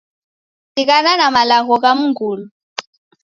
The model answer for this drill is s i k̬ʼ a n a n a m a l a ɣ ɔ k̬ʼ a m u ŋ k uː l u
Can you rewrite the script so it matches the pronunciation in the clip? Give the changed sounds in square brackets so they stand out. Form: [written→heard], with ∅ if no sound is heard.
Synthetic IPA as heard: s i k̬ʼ a n a n a m a l a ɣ ɔ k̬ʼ a m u ŋ [k→ɡ] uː l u

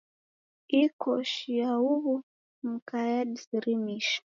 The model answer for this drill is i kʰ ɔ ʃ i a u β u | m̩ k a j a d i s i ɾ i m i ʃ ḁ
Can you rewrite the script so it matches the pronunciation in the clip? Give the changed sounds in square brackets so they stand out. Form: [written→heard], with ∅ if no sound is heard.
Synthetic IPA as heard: i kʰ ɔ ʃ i a u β u | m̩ k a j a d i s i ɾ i m i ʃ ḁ

